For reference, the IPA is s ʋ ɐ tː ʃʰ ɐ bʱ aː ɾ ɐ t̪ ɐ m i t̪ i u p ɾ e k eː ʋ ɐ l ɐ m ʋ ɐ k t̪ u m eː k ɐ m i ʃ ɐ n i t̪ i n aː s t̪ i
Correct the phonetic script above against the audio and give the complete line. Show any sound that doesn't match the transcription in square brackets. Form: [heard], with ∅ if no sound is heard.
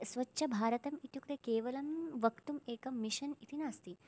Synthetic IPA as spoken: s ʋ ɐ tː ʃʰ ɐ bʱ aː ɾ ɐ t̪ ɐ m i t̪ [j] u [k] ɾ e k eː ʋ ɐ l ɐ m ʋ ɐ k t̪ u m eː k ɐ m i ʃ ɐ n i t̪ i n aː s t̪ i